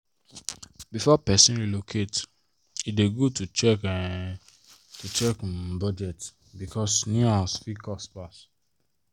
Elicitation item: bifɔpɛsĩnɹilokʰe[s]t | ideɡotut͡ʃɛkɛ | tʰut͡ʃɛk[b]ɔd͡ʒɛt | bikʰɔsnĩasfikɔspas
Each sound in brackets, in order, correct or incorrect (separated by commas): incorrect, correct